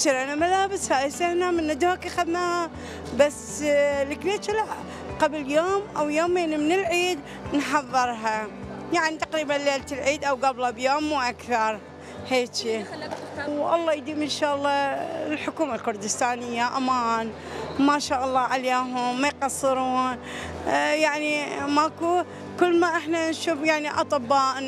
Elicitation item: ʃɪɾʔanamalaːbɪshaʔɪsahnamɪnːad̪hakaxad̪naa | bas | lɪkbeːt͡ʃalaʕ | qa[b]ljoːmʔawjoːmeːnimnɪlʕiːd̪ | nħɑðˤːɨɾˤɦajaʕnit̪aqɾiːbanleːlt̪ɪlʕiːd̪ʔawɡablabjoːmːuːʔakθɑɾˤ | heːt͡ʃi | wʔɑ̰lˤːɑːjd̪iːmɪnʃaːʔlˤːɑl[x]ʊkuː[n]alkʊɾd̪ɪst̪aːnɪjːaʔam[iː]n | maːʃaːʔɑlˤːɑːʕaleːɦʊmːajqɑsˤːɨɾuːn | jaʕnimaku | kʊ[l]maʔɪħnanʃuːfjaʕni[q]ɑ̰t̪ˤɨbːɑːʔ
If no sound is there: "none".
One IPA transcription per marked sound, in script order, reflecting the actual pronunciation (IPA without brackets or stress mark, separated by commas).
b, ħ, m, aː, lː, ʔ